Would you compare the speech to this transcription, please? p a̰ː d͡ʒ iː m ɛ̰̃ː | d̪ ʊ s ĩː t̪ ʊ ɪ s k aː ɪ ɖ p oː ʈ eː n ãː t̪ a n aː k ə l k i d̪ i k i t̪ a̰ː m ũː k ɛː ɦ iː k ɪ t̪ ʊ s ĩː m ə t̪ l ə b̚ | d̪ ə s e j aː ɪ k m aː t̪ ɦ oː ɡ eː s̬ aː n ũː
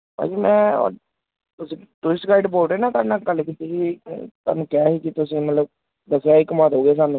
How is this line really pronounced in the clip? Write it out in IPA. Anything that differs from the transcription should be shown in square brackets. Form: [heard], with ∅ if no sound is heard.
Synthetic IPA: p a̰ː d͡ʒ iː m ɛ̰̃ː | [t̪] ʊ s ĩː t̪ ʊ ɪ s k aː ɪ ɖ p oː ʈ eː n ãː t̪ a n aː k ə l k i [t̪] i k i t̪ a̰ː [n] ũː k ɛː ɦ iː k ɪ t̪ ʊ s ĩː m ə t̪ l ə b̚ | d̪ ə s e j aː ɪ k m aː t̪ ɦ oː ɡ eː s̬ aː n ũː

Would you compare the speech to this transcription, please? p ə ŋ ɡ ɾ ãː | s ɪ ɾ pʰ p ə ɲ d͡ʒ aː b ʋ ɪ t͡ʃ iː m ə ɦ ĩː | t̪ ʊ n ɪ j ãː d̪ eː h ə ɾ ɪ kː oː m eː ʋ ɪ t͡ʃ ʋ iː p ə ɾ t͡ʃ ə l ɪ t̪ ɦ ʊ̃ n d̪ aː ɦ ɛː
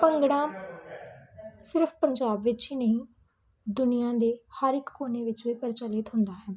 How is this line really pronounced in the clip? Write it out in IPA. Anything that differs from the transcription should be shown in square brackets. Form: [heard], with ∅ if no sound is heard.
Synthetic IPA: p ə ŋ ɡ [ɽ] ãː | s ɪ ɾ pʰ p ə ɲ d͡ʒ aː b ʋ ɪ t͡ʃ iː [n] ə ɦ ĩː | [d̪] ʊ n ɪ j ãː d̪ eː h ə ɾ ɪ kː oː [n] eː ʋ ɪ t͡ʃ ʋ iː p ə ɾ t͡ʃ ə l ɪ t̪ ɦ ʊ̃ n d̪ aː ɦ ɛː

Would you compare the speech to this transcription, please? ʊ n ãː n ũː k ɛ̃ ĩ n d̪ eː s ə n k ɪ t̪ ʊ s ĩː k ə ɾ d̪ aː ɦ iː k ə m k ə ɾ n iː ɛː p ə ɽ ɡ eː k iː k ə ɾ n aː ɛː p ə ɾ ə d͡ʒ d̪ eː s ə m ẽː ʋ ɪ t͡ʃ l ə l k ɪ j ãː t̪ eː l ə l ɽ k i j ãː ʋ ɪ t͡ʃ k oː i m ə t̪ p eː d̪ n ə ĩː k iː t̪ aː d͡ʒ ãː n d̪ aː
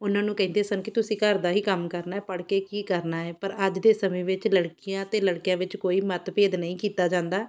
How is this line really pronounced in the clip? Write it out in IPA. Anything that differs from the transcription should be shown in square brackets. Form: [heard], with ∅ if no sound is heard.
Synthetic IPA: ʊ n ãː n ũː k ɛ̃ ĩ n d̪ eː s ə n k ɪ t̪ ʊ s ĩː k ə ɾ d̪ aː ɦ iː k ə m k ə ɾ n [aː] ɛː p ə ɽ [k] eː k iː k ə ɾ n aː ɛː p ə ɾ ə d͡ʒ d̪ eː s ə m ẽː ʋ ɪ t͡ʃ l ə [ɽ] k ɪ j ãː t̪ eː l ə [∅] ɽ k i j ãː ʋ ɪ t͡ʃ k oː [iː] m ə t̪ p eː d̪ n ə ĩː k iː t̪ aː d͡ʒ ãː n d̪ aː

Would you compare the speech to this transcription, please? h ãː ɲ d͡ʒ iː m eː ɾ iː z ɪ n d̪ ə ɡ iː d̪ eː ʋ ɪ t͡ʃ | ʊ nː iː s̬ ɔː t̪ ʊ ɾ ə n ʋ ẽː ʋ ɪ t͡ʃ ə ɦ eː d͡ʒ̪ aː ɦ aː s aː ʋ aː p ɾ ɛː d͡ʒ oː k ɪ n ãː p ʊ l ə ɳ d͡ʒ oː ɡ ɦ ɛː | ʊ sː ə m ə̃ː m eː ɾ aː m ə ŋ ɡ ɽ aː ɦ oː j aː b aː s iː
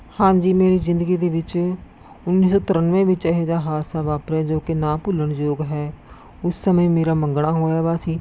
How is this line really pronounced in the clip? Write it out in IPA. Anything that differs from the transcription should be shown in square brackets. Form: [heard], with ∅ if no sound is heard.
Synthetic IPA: h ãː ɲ d͡ʒ iː m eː ɾ iː z ɪ n d̪ ə ɡ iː d̪ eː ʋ ɪ t͡ʃ | ʊ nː iː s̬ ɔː t̪ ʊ ɾ ə n ʋ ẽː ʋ ɪ t͡ʃ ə ɦ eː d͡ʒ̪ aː ɦ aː s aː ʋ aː p ɾ ɛː d͡ʒ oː k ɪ n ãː p ʊ l ə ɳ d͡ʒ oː ɡ ɦ ɛː | ʊ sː ə m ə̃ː m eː ɾ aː m ə ŋ ɡ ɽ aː ɦ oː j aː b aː s iː

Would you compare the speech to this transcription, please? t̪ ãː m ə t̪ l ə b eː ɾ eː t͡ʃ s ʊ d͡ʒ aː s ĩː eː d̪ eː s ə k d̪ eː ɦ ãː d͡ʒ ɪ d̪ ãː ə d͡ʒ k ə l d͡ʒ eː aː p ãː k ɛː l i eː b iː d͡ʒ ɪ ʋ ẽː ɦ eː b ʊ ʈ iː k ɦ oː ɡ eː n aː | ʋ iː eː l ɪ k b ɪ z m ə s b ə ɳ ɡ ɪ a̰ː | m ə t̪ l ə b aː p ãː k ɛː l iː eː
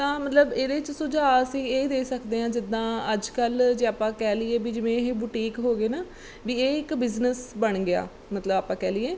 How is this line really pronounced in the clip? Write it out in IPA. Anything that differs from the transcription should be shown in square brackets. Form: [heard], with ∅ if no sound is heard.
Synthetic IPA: t̪ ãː m ə t̪ l ə b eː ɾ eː t͡ʃ s ʊ d͡ʒ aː s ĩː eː d̪ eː s ə k d̪ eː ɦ ãː d͡ʒ ɪ d̪ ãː ə d͡ʒ k ə l d͡ʒ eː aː p ãː k ɛː l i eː b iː d͡ʒ ɪ ʋ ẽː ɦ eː b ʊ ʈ iː k ɦ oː ɡ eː n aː | ʋ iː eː [∅] ɪ k b ɪ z [n] ə s b ə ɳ ɡ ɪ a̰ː | m ə t̪ l ə b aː p ãː k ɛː l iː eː

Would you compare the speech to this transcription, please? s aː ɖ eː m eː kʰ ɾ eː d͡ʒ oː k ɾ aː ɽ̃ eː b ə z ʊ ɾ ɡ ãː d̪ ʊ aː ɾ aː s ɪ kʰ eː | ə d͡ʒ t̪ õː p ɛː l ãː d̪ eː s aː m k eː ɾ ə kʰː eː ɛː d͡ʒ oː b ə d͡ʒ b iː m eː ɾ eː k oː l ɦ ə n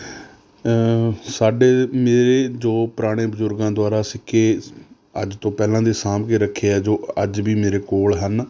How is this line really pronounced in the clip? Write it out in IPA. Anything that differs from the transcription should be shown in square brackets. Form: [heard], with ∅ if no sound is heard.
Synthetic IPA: s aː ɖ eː m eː [∅] ɾ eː d͡ʒ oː [p] ɾ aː ɽ̃ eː b ə z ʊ ɾ ɡ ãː d̪ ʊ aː ɾ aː s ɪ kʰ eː | ə d͡ʒ t̪ õː p ɛː l ãː d̪ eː s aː m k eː ɾ ə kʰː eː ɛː d͡ʒ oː [∅] ə d͡ʒ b iː m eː ɾ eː k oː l ɦ ə n

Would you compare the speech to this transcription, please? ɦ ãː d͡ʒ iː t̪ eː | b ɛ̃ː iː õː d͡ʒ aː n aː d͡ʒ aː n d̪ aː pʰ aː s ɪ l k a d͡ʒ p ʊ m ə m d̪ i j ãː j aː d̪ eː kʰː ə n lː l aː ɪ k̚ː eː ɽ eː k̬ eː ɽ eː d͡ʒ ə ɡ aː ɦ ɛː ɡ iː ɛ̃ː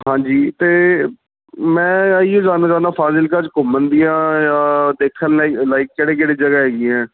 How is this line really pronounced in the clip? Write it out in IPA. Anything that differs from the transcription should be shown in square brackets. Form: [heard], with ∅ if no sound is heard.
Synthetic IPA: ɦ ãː d͡ʒ iː t̪ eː | [m] ɛ̃ː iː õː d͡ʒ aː n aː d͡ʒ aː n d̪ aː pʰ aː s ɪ l k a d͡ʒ [k] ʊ m ə [n] d̪ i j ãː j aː d̪ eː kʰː ə n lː l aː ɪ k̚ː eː ɽ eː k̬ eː ɽ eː d͡ʒ ə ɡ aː ɦ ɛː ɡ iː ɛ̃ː

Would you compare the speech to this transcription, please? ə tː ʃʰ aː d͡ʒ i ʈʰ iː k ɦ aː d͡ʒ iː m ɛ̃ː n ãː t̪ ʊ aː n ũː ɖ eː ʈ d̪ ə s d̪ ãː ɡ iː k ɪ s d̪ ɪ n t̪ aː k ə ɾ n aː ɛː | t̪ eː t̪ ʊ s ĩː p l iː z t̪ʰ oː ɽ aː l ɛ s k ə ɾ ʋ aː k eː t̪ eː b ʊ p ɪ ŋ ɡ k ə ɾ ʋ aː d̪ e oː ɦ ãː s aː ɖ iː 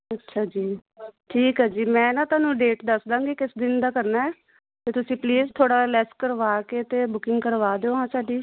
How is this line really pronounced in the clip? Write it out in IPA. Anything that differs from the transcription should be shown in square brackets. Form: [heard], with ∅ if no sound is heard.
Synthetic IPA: ə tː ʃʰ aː d͡ʒ [iː] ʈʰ iː k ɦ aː d͡ʒ iː m ɛ̃ː n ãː t̪ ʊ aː n ũː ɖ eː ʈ d̪ ə s d̪ ãː ɡ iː k ɪ s d̪ ɪ n [d̪] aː k ə ɾ n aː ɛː | t̪ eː t̪ ʊ s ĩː p l iː z t̪ʰ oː ɽ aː l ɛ s k ə ɾ ʋ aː k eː t̪ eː b ʊ [k] ɪ ŋ ɡ k ə ɾ ʋ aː d̪ e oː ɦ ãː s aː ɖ iː

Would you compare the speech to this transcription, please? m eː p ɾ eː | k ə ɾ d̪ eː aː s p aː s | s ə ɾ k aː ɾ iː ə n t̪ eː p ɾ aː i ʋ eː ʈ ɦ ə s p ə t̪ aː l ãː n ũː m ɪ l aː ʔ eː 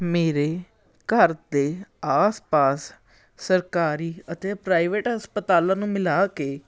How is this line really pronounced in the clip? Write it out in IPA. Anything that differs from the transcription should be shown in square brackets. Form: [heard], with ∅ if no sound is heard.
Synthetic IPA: m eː [∅] ɾ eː | k ə ɾ d̪ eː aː s p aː s | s ə ɾ k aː ɾ iː ə [∅] t̪ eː p ɾ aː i ʋ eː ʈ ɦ ə s p ə t̪ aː l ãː n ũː m ɪ l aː [k] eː

